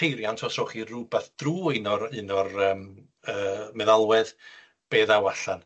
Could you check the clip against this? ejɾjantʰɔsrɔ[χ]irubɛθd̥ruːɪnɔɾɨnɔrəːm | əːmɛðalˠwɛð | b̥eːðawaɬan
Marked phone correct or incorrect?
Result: correct